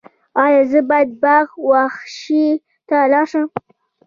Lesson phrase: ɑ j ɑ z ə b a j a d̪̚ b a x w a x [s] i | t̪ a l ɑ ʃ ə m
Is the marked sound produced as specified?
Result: no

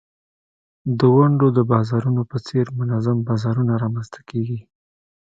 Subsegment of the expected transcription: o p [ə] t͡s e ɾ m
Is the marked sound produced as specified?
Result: yes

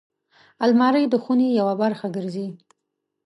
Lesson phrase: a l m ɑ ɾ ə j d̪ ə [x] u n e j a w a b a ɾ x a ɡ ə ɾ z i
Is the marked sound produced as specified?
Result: yes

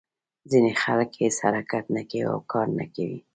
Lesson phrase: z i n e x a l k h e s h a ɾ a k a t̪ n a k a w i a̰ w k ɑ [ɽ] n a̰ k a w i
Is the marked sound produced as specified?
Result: no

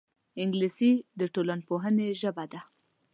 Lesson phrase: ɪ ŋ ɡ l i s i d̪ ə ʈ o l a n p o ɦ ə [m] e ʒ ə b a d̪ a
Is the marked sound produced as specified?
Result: no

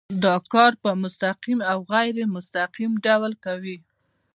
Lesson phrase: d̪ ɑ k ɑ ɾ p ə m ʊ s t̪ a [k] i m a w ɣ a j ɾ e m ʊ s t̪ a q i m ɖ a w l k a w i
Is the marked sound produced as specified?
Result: no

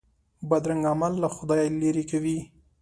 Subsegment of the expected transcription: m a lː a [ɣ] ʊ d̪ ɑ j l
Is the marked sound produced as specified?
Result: no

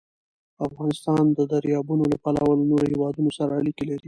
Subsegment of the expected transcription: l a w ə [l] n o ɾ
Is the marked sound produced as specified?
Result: yes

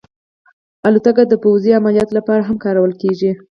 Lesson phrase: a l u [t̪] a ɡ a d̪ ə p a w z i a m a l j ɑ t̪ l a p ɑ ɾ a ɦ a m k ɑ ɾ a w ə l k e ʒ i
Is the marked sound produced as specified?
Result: yes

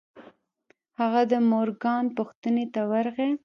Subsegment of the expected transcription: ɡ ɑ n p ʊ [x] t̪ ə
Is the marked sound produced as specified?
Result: yes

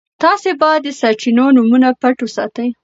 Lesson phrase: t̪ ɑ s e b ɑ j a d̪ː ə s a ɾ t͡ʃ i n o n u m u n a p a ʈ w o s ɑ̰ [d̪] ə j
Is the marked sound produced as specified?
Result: no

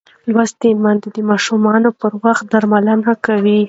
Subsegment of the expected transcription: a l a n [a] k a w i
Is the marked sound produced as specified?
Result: yes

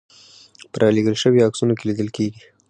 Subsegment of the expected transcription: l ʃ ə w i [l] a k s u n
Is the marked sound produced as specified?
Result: no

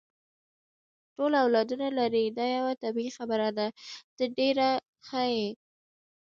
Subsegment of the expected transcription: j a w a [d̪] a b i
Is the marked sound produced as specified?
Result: no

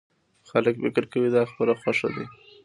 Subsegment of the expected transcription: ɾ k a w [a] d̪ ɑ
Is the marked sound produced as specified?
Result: no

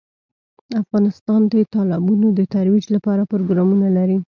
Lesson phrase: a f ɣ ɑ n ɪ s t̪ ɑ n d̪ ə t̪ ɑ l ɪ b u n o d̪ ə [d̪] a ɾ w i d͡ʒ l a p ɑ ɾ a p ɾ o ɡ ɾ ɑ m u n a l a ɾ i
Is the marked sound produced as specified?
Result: no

